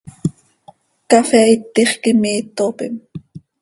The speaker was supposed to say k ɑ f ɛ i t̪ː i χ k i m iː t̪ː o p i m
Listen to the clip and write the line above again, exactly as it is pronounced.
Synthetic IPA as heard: k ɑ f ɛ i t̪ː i χ k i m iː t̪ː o p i m